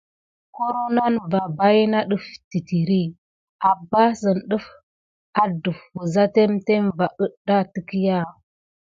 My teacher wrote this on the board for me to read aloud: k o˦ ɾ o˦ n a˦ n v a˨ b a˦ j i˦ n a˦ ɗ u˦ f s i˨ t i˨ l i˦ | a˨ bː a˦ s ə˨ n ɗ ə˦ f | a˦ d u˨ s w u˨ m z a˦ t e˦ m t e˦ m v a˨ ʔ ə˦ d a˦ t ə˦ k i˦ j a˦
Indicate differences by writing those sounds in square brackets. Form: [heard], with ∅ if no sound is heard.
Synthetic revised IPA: k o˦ ɾ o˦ n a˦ n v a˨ b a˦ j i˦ n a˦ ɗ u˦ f [t] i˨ t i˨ [ɾ] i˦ | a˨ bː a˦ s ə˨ n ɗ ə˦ f | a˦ d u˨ [f] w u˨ [∅] z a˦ t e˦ m t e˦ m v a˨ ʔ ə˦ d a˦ t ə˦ k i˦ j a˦

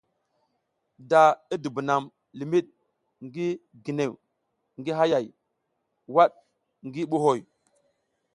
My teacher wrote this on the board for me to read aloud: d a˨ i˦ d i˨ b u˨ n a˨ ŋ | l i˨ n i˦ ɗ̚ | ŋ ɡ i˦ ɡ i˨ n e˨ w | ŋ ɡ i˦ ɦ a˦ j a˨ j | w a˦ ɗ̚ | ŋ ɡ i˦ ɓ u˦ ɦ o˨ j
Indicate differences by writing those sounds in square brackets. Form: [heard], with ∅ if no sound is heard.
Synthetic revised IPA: d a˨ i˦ d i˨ b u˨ n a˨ [m] | l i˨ [m] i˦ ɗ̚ | ŋ ɡ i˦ ɡ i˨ n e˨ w | ŋ ɡ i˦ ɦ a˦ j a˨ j | w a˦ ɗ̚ | ŋ ɡ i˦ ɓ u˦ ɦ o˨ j

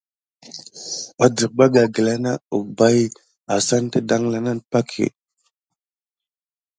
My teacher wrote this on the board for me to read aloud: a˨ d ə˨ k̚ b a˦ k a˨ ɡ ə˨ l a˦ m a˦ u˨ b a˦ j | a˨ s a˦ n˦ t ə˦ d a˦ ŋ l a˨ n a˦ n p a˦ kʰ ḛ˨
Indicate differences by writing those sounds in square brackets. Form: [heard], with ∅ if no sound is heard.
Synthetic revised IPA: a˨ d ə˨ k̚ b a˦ [ɡ] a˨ ɡ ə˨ l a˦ [n] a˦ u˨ b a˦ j | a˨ s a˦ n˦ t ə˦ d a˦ ŋ l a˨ n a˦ n p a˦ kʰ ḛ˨

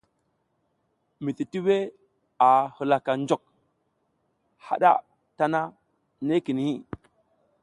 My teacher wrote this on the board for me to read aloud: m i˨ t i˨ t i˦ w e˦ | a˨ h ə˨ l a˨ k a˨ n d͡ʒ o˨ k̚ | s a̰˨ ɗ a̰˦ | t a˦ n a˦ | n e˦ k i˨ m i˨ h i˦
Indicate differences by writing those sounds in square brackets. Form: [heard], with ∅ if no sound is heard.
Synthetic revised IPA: m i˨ t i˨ t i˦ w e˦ | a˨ h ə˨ l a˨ k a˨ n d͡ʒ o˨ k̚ | [h] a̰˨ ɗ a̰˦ | t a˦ n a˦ | n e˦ k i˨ [n] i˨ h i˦

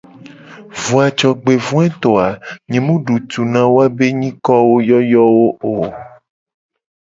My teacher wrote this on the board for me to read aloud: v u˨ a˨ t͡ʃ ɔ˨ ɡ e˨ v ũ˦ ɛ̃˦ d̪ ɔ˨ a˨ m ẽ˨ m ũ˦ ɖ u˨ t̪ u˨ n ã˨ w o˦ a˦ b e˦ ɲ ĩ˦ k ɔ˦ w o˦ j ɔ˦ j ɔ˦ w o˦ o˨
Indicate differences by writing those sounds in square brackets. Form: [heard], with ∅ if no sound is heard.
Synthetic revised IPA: v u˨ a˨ t͡ʃ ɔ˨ [ɡ͡b] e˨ v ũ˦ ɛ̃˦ [t̪] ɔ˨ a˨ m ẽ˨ m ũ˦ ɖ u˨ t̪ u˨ n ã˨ w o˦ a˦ b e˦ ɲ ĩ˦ k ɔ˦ w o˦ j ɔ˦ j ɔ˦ w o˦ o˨

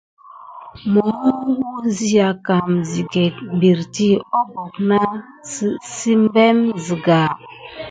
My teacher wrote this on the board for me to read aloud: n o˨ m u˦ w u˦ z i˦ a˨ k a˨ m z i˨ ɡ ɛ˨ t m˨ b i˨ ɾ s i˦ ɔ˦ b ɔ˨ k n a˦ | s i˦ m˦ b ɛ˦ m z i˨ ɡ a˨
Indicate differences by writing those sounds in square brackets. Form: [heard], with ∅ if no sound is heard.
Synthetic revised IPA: [m] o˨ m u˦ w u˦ z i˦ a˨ k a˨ m z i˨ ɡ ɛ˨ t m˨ b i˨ ɾ [t] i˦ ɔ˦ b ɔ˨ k n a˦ | s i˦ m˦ b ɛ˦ m z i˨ ɡ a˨

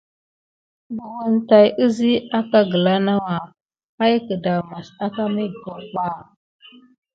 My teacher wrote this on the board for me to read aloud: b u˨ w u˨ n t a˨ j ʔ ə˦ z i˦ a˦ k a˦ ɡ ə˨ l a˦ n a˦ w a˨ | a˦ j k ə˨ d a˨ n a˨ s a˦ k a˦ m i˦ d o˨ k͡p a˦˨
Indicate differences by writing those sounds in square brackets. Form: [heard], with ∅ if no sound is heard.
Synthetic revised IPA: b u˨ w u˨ n t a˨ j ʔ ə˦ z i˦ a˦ k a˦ ɡ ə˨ l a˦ n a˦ w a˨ | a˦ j k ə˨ d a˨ [m] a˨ s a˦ k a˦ m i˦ [ɡ] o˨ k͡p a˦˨

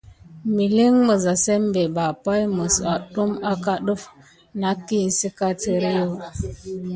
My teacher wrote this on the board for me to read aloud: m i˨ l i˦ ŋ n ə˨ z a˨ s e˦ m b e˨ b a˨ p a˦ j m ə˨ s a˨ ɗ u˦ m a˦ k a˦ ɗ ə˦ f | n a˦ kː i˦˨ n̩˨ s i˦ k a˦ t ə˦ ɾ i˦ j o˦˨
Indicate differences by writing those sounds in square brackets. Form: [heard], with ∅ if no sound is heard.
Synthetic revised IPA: m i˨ l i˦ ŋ [m] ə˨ z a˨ s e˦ m b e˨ b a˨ p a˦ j m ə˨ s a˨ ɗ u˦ m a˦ k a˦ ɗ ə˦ f | n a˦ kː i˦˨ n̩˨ s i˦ k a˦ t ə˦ ɾ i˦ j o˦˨

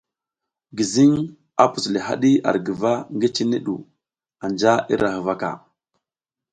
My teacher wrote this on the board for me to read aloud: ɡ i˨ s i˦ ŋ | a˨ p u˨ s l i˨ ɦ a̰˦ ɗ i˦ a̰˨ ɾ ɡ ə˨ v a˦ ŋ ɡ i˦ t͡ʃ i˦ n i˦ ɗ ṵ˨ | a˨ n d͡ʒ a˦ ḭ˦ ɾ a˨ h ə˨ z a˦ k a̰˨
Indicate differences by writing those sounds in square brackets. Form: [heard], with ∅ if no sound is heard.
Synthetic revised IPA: ɡ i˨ [z] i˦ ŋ | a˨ p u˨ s l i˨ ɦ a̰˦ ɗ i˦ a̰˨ ɾ ɡ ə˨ v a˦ ŋ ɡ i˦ t͡ʃ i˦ n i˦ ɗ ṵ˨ | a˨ n d͡ʒ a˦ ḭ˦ ɾ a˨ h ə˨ [v] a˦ k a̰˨

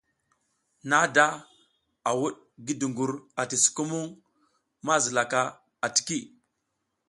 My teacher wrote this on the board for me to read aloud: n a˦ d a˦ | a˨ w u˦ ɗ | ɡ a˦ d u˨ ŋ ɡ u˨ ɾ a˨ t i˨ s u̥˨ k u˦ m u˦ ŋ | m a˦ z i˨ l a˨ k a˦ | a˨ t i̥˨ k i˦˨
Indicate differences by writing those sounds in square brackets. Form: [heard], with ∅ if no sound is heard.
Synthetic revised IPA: n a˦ d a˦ | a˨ w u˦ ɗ | ɡ [i˦] d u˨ ŋ ɡ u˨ ɾ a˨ t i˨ s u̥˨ k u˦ m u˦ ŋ | m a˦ z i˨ l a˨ k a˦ | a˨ t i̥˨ k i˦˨

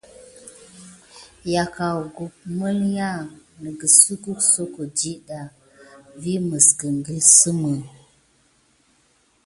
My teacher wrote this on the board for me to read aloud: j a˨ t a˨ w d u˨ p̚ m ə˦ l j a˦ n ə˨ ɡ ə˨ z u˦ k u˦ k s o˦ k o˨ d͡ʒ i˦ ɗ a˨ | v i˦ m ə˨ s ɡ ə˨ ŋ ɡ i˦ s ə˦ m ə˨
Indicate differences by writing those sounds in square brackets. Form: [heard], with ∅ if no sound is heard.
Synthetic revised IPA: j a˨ [k] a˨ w [ɡ] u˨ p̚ m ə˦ l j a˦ n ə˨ ɡ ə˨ [s] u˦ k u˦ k s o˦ k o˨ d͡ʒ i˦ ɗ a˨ | v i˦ m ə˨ s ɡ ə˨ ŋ ɡ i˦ s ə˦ m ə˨

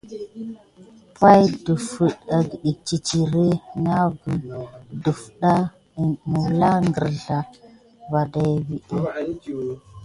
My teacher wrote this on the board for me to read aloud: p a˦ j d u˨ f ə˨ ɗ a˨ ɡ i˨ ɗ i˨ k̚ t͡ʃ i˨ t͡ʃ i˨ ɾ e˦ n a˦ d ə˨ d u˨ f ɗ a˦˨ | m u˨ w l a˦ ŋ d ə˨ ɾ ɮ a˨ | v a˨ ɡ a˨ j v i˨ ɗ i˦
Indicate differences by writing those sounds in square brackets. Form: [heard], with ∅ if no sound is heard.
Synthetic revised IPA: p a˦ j d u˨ f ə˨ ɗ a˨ ɡ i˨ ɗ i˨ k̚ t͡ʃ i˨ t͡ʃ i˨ ɾ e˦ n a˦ [ɡ] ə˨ d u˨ f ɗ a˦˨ | m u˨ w l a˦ ŋ [ɡ] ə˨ ɾ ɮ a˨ | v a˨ [d] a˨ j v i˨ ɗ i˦

